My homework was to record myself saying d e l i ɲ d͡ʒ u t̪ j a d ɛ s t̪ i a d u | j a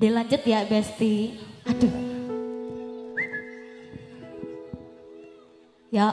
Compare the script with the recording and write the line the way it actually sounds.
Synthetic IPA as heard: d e l a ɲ d͡ʒ ʊ t̪ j a b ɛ s t̪ i a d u | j a